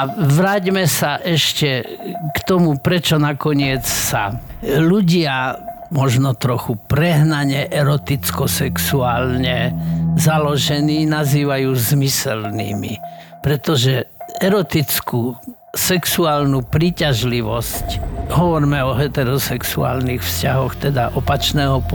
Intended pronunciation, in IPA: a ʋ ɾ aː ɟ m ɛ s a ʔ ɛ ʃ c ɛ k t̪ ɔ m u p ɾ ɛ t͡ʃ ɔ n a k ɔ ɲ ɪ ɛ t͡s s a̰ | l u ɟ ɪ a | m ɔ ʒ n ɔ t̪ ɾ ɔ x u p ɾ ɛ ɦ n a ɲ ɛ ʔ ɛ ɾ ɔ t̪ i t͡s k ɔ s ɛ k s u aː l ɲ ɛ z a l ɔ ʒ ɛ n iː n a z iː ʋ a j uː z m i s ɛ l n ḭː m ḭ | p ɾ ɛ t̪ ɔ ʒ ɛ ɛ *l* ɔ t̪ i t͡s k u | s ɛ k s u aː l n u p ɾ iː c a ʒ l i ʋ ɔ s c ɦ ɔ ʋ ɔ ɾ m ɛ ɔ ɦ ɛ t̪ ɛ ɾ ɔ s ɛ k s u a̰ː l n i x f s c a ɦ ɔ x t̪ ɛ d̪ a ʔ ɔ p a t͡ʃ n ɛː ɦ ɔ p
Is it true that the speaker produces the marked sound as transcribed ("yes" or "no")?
no